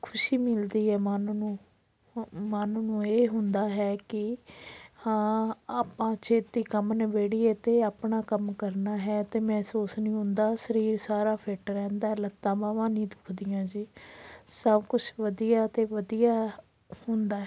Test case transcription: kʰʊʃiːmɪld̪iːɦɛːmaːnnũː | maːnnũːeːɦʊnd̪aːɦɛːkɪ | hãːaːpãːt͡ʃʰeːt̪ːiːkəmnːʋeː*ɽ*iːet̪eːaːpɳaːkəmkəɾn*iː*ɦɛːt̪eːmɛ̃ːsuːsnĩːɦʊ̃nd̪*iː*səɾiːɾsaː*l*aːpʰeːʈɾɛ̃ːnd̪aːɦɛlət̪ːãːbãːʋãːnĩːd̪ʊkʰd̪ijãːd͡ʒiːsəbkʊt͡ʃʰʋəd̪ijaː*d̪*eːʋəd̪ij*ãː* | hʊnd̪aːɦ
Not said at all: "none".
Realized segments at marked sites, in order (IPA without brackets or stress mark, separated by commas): ɽ, aː, aː, ɾ, t̪, aː